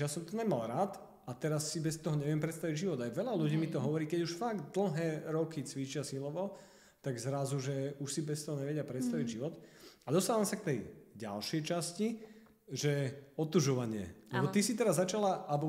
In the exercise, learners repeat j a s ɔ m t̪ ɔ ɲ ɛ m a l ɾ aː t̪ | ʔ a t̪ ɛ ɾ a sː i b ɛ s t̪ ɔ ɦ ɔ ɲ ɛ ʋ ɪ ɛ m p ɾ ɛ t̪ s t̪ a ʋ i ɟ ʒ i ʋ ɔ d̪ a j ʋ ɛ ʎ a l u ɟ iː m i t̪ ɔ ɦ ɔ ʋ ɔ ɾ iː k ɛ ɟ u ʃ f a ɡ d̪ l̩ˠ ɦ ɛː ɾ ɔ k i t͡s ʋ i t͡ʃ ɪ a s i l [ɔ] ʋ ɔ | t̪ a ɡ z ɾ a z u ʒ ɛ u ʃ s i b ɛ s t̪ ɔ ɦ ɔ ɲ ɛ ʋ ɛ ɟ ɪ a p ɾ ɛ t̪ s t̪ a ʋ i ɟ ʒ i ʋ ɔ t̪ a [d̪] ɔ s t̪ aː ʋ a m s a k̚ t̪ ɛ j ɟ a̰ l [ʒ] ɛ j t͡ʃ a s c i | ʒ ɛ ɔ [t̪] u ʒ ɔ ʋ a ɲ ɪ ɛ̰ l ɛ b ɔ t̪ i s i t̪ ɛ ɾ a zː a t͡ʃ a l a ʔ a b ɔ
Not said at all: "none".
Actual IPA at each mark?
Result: ɔ, d̪, ʃ, t̪

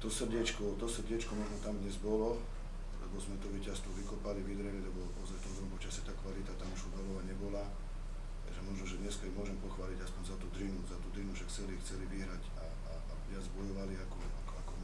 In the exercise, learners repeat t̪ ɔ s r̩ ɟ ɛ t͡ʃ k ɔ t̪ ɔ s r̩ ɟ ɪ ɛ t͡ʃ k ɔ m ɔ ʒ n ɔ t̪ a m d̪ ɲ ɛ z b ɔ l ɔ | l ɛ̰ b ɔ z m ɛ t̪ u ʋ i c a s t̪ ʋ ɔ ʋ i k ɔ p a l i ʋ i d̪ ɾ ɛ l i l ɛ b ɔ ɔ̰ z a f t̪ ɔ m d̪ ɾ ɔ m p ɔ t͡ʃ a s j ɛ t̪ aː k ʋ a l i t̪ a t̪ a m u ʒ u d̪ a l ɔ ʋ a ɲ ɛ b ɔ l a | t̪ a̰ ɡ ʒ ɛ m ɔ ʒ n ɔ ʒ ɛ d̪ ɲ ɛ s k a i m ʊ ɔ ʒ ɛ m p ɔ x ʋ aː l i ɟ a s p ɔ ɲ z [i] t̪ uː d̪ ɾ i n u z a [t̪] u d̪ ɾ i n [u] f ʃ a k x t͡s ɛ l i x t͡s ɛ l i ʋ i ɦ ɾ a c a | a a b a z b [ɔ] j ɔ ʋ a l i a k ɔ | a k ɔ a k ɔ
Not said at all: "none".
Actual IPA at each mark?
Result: a, t̪, u, ɔ

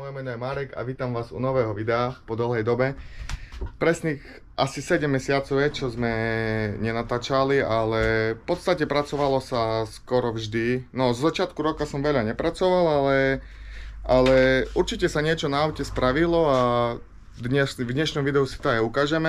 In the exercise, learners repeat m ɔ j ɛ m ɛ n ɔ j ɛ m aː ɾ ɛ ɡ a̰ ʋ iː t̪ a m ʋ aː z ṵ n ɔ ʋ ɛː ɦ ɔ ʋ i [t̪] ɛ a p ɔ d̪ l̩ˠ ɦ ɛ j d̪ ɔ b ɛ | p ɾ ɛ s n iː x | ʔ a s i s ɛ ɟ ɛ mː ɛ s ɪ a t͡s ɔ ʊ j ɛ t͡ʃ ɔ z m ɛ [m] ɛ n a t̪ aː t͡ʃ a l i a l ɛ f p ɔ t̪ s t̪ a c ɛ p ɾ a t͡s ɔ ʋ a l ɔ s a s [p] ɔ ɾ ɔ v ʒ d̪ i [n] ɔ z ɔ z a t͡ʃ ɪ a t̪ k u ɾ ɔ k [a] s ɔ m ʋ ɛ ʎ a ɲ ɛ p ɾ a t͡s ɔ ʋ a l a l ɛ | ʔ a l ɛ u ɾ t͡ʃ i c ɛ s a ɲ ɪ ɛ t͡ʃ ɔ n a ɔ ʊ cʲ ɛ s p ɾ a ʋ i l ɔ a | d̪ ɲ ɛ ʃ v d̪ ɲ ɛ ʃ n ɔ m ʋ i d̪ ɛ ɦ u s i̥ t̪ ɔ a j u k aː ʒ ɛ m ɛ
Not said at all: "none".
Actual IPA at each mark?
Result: d̪, ɲ, k, n, a

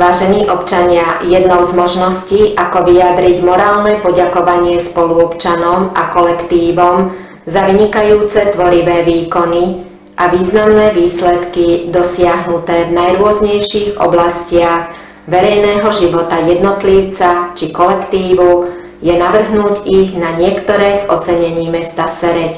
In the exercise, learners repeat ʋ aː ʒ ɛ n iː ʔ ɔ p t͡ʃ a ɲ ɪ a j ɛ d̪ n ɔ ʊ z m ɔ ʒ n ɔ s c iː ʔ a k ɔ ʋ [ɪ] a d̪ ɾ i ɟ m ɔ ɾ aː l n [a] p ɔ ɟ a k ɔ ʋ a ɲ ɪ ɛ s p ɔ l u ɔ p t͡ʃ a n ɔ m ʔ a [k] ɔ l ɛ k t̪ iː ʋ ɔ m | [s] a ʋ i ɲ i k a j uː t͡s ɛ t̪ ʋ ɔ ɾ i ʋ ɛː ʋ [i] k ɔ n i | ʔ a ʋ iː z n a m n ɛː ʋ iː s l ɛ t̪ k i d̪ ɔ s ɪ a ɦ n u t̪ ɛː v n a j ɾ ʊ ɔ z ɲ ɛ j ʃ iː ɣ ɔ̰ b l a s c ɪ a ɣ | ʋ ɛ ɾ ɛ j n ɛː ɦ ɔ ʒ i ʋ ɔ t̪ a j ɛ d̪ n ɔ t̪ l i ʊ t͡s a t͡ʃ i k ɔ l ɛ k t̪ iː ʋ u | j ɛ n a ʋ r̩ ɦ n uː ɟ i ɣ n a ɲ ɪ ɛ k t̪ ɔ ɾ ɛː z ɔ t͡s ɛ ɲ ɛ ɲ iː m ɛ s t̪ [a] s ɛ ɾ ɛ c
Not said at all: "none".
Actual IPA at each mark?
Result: i, ɛ, k, z, iː, a

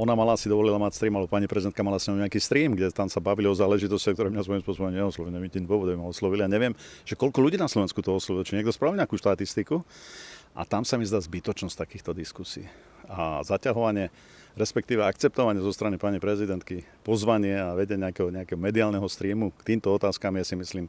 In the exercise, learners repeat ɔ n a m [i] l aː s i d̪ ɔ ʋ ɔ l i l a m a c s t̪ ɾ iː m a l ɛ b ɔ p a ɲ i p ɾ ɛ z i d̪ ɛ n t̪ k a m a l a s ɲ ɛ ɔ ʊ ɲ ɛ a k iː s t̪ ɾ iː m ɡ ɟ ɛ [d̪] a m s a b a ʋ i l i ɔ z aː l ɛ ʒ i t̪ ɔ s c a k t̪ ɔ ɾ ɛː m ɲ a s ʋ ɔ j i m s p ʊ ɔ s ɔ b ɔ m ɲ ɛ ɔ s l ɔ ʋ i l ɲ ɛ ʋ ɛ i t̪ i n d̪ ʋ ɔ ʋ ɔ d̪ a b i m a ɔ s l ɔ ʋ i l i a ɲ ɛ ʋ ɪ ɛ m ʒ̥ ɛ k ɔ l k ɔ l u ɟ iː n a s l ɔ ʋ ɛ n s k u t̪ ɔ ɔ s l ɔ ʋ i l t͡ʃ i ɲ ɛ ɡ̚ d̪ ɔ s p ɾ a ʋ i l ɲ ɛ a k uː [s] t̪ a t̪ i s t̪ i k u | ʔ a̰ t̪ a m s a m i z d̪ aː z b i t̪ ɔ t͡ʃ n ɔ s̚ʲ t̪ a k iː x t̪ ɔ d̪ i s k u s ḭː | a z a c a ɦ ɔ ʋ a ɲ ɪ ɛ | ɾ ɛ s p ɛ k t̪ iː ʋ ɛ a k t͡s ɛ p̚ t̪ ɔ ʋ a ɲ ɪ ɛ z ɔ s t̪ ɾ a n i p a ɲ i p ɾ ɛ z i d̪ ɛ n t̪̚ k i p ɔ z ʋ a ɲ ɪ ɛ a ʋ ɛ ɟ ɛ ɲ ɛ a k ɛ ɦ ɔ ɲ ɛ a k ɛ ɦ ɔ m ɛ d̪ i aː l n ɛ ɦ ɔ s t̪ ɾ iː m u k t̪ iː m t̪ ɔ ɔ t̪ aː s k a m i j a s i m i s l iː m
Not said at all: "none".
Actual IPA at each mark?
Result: a, t̪, ʃ

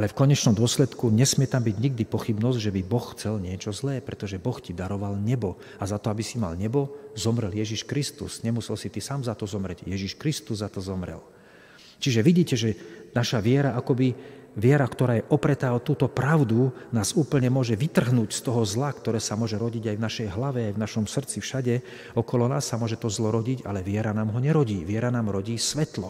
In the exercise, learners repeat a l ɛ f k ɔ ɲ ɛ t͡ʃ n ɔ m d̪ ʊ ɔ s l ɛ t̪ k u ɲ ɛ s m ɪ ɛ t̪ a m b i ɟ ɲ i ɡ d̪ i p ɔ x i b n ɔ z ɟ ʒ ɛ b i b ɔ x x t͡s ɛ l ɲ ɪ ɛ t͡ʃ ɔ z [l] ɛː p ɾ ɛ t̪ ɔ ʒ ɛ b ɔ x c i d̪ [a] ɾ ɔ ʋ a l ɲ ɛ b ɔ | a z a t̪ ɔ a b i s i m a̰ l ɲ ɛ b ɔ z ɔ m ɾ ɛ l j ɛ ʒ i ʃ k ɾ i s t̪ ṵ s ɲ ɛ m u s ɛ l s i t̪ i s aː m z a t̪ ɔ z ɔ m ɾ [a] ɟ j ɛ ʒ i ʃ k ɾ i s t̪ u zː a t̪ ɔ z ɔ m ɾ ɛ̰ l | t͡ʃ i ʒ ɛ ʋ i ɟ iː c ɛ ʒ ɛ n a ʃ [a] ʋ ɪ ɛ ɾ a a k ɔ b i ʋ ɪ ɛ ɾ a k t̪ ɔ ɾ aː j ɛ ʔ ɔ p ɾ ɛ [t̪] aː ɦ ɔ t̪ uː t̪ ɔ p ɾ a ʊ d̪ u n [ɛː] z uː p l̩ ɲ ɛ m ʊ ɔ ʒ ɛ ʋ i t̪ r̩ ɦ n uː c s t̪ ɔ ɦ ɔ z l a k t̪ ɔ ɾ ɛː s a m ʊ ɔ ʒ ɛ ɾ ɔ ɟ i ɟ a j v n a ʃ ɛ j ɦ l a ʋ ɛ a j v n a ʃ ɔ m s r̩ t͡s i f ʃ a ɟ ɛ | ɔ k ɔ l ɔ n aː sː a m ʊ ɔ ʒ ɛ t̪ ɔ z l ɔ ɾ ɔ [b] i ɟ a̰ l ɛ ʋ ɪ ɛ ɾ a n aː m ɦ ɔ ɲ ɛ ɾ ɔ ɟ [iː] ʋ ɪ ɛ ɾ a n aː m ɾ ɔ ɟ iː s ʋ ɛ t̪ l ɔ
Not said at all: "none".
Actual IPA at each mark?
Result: l, a, ɛ, a, t̪, aː, ɟ, iː

